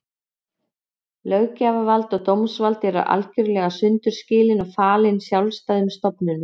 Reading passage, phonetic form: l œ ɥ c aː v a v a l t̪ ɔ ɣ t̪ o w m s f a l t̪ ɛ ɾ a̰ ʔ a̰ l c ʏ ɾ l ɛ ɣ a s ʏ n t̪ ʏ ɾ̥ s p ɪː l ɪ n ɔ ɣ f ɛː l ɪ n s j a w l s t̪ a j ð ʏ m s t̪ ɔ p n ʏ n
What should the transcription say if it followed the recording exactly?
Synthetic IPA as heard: l œ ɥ c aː v a v a l t̪ ɔ ɣ t̪ o w m s v a l t̪ ɛ ɾ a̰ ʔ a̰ l c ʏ ɾ l ɛ ɣ a s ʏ n t̪ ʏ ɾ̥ s c ɪː l ɪ n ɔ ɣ f aː l ɪ n s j a w l s t̪ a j ð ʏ m s t̪ ɔ p n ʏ n